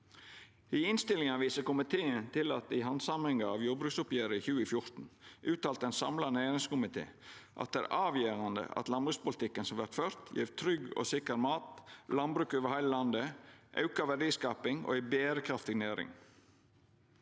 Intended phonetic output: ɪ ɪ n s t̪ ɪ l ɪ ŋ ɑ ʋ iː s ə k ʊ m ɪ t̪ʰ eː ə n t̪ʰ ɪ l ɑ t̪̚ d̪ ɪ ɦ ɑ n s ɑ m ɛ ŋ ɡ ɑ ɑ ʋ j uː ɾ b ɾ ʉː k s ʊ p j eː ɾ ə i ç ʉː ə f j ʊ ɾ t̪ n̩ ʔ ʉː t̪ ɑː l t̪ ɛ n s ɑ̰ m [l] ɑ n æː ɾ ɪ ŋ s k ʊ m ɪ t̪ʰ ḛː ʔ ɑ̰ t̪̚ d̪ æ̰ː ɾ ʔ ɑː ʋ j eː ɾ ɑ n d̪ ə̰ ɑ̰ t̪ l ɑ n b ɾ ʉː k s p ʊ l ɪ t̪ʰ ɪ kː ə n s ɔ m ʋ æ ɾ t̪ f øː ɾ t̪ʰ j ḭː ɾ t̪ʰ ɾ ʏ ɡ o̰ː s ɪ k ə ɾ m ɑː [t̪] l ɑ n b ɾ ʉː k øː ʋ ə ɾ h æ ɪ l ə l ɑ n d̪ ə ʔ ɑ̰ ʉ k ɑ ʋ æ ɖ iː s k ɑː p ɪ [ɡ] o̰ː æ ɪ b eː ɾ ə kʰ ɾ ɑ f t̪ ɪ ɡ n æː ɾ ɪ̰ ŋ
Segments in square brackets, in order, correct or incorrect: correct, correct, incorrect: ŋ

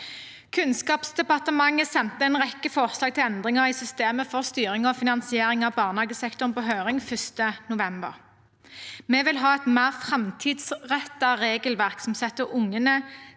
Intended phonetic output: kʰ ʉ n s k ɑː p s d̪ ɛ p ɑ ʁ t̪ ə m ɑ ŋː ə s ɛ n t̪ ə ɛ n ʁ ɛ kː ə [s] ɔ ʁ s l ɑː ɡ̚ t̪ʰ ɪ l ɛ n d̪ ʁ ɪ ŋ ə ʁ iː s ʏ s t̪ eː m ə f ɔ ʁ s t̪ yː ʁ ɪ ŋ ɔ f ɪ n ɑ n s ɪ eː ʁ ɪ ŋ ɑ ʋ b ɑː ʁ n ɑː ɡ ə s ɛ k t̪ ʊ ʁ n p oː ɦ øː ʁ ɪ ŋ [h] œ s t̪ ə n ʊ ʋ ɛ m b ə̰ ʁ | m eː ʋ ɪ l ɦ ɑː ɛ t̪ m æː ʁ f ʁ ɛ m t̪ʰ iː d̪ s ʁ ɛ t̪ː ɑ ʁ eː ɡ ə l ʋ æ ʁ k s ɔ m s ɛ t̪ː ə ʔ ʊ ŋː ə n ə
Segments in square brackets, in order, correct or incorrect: incorrect: f, incorrect: f

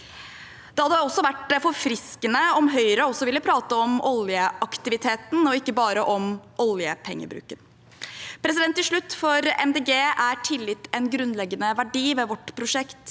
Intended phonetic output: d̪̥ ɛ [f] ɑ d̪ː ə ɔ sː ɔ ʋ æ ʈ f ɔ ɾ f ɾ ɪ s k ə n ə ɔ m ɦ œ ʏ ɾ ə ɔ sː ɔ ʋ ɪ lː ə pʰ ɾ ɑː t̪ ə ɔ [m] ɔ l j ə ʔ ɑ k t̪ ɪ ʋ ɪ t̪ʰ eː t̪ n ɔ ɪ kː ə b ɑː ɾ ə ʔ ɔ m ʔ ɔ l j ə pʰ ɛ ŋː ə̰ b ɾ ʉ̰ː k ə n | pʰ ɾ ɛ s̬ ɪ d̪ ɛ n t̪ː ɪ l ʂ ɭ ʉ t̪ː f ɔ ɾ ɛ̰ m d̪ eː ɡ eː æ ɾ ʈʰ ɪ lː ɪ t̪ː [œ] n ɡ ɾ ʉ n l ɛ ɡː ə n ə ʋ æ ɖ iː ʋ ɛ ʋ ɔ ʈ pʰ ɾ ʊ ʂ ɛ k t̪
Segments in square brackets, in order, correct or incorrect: incorrect: h, correct, incorrect: ɛ

